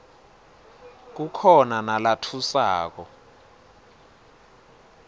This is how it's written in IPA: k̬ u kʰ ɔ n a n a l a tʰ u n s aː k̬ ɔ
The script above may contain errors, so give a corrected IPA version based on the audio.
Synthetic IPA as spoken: k̬ u kʰ ɔ n a n a l a tʰ u s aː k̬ ɔ

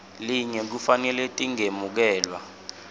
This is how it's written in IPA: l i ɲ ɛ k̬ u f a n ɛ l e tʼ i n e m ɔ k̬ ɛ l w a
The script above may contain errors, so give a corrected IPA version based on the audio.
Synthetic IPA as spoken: l i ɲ ɛ k̬ u f a n ɛ l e tʼ i ŋ e m u k̬ ɛː l w a

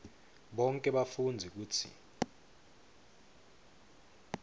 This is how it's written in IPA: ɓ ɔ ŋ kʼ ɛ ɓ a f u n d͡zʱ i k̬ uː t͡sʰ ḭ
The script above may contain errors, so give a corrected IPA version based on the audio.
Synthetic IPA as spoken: ɓ ɔ ŋ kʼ ɛ ɓ a f u n d͡zʱ i k̬ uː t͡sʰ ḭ

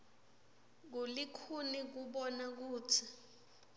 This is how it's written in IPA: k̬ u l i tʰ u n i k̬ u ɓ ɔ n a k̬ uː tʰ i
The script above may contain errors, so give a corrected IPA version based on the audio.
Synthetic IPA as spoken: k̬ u l i kʰ u n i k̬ u ɓ ɔ n a k̬ uː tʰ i

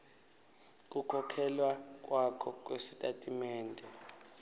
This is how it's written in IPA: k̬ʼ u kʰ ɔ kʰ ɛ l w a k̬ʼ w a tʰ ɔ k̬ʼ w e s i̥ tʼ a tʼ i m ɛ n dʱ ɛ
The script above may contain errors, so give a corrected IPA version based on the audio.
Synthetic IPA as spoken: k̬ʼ u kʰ ɔ kʰ ɛ l w a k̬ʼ w a kʰ ɔ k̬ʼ w e s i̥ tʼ a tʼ i m ɛː n dʱ ɛ

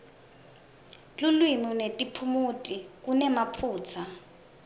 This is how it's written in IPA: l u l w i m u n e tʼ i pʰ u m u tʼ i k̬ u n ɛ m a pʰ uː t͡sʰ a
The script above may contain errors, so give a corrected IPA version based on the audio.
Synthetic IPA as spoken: l u l w i m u n e tʼ i pʰ u m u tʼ i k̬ u n ɛ m a pʰ uː t͡sʰ a

